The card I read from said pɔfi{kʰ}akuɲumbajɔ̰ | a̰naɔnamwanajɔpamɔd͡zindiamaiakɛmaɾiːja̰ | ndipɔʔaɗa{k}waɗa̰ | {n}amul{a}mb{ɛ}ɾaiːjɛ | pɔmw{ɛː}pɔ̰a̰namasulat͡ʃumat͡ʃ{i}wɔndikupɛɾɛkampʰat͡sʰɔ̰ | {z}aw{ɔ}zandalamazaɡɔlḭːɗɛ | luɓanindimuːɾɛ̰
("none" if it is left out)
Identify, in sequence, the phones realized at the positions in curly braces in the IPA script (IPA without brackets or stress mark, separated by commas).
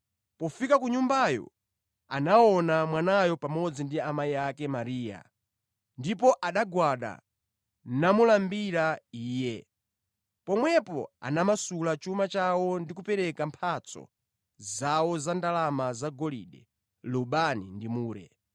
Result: k, ɡ, n, a, i, ɛ, a, z, ɔ